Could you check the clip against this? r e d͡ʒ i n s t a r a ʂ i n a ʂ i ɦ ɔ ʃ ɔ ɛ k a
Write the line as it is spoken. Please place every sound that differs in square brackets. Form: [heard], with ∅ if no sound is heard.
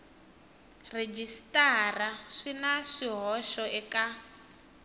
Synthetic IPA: r e d͡ʒ i [∅] s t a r a ʂ i n a ʂ i ɦ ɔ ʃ ɔ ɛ k a